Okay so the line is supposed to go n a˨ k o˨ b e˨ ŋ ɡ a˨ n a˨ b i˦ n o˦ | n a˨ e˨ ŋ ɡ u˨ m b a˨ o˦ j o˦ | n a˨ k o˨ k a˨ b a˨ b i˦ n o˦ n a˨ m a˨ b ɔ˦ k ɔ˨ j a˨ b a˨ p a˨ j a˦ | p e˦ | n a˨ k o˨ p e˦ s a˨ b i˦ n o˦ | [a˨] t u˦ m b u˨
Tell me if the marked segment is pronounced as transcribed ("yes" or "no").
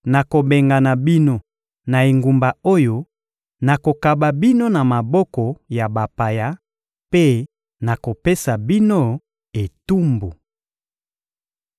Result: no